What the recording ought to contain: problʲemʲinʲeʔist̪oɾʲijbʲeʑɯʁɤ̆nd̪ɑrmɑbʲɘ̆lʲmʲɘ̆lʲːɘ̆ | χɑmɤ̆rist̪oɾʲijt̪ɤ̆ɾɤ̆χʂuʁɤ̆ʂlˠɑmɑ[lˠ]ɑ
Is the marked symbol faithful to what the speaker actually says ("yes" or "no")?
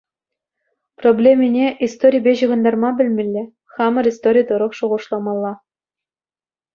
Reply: no